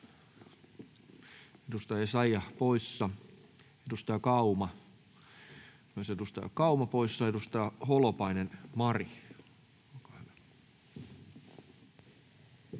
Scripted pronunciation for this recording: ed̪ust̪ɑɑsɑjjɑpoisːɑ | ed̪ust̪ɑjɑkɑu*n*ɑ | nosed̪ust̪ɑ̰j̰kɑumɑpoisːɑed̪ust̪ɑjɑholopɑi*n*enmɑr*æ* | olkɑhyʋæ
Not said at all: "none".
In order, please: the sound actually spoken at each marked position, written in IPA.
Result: m, n, i

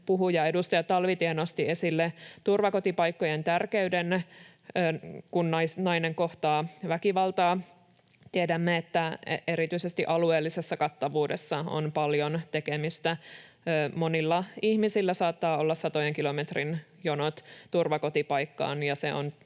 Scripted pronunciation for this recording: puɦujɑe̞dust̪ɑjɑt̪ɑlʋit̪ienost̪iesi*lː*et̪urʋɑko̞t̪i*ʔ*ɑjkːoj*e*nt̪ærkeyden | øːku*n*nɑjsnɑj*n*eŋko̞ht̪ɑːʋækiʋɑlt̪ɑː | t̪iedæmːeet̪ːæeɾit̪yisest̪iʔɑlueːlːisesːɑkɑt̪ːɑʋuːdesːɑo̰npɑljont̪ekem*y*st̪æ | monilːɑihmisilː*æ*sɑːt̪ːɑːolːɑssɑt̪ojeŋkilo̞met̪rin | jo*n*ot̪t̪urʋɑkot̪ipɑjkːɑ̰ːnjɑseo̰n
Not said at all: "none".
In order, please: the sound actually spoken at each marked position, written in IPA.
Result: lː, p, e, n, n, i, æ, n

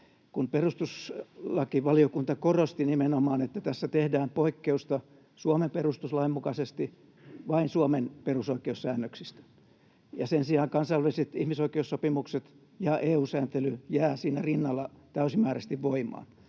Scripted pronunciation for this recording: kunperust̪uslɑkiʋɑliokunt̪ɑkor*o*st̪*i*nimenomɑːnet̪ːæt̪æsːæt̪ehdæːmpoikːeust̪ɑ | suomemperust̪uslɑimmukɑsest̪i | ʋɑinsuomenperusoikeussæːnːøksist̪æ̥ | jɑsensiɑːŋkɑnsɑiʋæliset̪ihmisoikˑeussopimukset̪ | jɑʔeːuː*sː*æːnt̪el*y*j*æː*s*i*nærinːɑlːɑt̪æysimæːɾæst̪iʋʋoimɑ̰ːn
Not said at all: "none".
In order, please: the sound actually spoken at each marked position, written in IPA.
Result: o, i, s, y, æː, iː

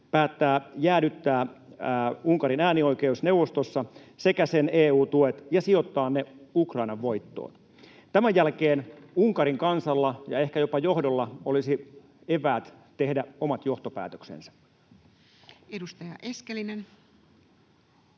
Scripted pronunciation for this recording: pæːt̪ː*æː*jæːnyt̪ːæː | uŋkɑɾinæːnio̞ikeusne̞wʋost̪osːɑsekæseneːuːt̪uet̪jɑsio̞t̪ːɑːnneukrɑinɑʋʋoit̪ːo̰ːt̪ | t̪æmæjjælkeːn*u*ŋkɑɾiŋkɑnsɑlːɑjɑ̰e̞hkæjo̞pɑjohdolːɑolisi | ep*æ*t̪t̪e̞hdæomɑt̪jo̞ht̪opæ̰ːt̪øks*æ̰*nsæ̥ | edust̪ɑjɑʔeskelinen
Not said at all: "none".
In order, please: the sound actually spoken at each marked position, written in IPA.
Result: æː, u, æː, ḛ

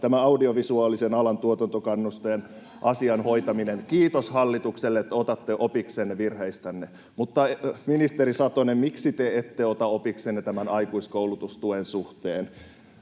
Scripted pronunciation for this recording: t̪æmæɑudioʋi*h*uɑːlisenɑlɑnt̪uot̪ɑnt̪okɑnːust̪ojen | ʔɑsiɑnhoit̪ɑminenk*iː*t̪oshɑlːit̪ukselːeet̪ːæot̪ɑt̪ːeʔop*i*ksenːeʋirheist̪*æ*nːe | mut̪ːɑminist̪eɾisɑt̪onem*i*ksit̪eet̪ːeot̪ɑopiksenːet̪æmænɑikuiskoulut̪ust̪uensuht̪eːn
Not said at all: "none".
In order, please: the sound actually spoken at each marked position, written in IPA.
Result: s, iː, i, æ, i

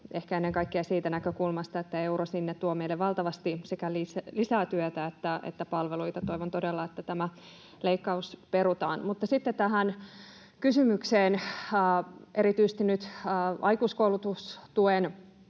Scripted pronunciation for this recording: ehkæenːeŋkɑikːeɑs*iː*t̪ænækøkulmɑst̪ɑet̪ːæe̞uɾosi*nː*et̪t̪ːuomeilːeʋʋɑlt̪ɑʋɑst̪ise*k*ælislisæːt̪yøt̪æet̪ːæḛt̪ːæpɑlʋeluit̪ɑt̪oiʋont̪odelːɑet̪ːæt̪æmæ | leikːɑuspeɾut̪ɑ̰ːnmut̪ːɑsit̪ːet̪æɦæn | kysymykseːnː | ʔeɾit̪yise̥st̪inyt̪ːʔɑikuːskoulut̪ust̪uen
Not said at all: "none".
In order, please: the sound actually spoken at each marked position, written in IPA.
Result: iː, nː, k

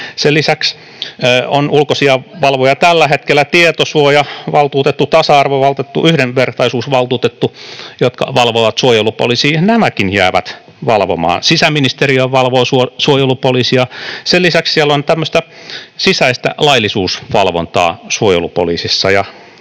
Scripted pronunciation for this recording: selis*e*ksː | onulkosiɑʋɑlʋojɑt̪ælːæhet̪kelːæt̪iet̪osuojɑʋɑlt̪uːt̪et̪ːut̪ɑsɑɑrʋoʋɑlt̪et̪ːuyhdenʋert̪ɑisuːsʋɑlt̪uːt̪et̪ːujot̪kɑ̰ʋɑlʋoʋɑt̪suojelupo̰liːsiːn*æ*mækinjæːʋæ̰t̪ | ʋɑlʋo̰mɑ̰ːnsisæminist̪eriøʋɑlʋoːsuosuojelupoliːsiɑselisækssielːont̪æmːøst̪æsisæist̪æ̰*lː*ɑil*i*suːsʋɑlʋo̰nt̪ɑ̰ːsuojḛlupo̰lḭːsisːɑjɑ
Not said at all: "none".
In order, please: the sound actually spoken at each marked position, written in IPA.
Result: æ, æ, l, i

